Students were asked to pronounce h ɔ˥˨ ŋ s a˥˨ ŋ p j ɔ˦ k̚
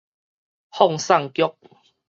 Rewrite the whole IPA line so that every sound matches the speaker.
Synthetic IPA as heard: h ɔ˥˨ ŋ s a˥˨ ŋ k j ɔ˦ k̚